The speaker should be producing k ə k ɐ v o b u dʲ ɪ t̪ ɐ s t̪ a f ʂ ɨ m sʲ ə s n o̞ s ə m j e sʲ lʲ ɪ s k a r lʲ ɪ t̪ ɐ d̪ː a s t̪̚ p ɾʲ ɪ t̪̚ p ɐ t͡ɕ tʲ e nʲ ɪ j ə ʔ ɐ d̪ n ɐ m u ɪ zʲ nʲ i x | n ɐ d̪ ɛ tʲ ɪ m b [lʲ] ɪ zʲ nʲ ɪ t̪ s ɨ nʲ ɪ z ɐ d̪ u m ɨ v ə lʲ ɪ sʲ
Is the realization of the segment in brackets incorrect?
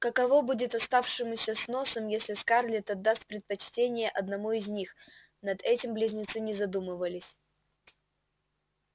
no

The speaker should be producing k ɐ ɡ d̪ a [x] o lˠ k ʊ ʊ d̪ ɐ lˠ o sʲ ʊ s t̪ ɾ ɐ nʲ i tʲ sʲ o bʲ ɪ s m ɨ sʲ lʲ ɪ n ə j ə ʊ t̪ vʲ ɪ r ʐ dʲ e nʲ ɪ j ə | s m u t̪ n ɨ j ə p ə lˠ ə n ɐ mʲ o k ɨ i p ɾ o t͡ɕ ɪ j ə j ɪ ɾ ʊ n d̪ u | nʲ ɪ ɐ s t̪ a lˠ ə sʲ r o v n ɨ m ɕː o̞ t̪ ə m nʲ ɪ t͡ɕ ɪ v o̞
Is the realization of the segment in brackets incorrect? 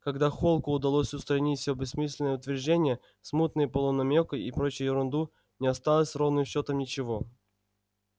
no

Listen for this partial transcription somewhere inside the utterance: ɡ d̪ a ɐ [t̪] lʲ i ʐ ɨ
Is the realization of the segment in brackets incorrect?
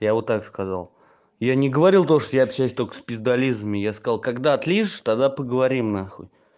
no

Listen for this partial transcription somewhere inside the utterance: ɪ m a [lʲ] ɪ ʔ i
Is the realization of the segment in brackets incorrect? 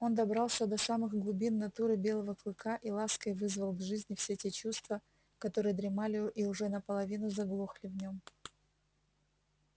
no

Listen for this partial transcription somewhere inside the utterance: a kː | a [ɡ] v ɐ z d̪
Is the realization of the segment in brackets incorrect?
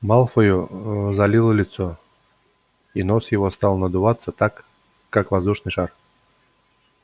yes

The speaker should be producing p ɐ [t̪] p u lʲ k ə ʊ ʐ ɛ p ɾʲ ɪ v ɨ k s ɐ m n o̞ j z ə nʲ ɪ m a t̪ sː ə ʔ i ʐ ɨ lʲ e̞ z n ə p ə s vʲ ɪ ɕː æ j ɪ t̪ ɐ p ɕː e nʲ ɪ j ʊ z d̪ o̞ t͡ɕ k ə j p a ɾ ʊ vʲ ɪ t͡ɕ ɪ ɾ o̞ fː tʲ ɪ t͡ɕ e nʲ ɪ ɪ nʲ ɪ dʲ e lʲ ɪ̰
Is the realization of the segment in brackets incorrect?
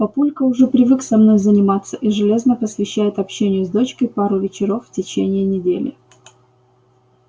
yes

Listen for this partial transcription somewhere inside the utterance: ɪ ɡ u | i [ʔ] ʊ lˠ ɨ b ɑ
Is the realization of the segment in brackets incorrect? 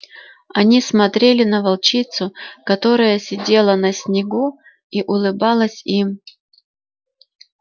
no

